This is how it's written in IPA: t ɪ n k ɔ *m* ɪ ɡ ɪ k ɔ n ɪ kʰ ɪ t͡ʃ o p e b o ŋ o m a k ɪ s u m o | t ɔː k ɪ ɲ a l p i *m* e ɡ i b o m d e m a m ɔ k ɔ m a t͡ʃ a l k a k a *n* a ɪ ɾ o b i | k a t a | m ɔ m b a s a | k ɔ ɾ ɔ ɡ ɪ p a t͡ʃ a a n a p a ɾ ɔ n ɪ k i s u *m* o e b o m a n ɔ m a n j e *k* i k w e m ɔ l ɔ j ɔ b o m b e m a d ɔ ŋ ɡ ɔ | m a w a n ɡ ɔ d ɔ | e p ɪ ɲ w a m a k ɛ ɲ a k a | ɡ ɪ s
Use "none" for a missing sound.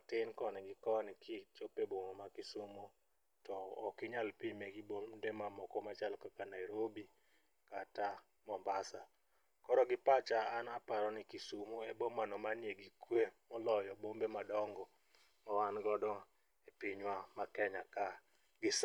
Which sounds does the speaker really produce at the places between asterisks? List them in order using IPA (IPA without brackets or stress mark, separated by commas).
n, m, n, m, ɡ